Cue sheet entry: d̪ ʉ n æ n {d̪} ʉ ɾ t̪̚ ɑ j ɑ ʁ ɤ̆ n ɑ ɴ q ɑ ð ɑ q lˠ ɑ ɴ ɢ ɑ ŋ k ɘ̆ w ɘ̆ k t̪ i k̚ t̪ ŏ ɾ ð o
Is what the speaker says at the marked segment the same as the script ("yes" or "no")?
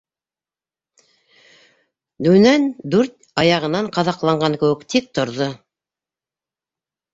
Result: yes